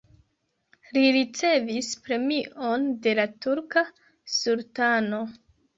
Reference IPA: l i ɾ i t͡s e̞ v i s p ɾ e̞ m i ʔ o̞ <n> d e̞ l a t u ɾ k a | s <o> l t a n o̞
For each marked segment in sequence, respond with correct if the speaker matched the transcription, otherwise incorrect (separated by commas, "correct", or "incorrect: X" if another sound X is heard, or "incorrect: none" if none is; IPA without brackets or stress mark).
correct, incorrect: u